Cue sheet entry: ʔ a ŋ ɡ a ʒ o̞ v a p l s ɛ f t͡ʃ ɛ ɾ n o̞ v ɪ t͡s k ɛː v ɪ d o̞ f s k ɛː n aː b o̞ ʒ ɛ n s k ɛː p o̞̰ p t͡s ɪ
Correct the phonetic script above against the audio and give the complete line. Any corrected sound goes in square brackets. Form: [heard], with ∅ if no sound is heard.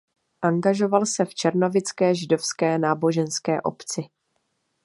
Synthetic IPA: ʔ a ŋ ɡ a ʒ o̞ v a [∅] l s ɛ f t͡ʃ ɛ ɾ n o̞ v ɪ t͡s k ɛː [ʒ] ɪ d o̞ f s k ɛː n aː b o̞ ʒ ɛ n s k ɛː [ʔ] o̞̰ p t͡s ɪ